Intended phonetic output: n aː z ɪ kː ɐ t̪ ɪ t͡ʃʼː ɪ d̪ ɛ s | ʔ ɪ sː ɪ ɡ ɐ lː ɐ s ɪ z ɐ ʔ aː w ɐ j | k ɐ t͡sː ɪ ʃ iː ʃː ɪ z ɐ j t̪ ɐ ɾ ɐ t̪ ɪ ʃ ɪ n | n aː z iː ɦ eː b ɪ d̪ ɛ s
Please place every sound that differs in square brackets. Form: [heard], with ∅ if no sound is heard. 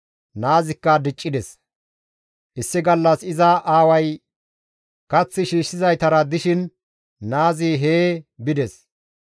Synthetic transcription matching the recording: n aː z ɪ kː ɐ [d̪] ɪ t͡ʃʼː ɪ d̪ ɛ s | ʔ ɪ sː ɪ ɡ ɐ lː ɐ s ɪ z ɐ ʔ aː w ɐ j | k ɐ t͡sː ɪ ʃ iː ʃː ɪ z ɐ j t̪ ɐ ɾ ɐ [d̪] ɪ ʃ ɪ n | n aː z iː ɦ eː b ɪ d̪ ɛ s